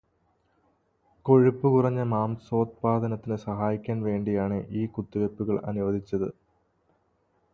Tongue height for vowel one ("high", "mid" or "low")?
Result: mid